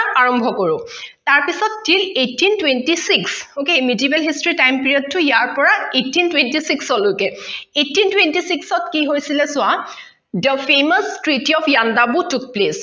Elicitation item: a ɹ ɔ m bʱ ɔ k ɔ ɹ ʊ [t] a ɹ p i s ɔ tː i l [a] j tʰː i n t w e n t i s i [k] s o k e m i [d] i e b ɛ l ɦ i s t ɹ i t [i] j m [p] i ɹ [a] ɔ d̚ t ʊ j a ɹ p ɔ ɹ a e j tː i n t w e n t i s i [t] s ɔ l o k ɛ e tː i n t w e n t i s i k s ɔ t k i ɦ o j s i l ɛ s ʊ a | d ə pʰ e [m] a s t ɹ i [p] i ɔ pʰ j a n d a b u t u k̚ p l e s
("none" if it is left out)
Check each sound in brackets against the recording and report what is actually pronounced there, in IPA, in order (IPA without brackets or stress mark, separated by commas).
t, e, k, d, a, p, i, k, m, t